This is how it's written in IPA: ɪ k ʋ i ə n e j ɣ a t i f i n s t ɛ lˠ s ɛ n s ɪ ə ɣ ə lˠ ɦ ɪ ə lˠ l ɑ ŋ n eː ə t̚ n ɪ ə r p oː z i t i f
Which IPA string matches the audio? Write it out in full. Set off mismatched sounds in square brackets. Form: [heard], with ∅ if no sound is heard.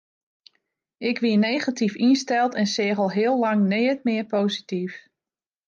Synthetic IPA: ɪ k ʋ i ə n e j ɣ a t i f i n s t ɛ lˠ [t] ɛ n s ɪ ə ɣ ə lˠ ɦ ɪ ə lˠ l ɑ ŋ n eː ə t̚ [m] ɪ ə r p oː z i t i f

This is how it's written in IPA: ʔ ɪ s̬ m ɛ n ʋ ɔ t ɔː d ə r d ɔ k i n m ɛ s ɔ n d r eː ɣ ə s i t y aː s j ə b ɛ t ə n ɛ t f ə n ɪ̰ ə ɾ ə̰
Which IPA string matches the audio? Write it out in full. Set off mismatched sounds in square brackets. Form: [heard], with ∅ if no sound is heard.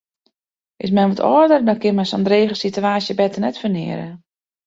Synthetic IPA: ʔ ɪ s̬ m ɛ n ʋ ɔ t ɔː d ə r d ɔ k [ɪ] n m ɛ s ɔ n d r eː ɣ ə s i t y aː s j ə b ɛ t ə n ɛ t f ə n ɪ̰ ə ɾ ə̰

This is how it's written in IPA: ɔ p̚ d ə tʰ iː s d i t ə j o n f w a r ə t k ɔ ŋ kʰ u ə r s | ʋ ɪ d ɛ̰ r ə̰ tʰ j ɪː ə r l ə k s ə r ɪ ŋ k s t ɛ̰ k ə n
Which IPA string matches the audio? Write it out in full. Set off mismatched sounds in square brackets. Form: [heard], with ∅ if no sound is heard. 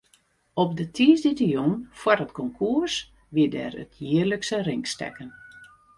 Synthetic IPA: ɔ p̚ d ə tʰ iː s d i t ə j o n f w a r ə t k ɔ ŋ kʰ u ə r s | ʋ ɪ d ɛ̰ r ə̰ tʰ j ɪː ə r l ə k s ə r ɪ ŋ k s t ɛ̰ k ə n

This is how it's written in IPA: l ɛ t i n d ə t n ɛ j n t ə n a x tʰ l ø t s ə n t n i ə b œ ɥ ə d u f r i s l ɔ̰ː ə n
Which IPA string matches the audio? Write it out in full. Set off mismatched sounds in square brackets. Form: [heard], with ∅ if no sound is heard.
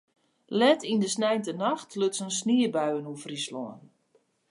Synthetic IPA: l ɛ t i n d ə [s] n ɛ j n t ə n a x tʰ l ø t s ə n [s] n i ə b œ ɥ ə [n] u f r i s l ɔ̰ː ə n

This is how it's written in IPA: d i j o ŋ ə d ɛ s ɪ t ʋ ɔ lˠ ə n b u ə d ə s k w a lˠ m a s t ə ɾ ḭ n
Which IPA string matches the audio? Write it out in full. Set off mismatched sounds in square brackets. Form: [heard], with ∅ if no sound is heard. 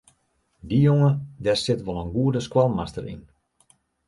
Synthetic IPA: d i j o ŋ ə d ɛ s ɪ t ʋ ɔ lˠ ə n [ɡ] u ə d ə s k w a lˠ m a s t ə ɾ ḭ n

